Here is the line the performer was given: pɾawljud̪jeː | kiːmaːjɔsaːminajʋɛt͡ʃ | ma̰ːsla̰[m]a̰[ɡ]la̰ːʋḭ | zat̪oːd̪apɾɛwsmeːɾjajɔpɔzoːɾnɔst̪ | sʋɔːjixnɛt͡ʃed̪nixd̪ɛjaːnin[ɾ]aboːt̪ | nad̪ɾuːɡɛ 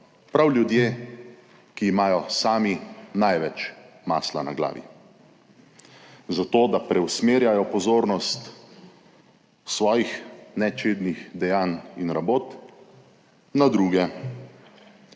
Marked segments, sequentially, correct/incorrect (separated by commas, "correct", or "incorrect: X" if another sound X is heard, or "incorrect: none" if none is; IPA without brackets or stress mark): incorrect: n, correct, correct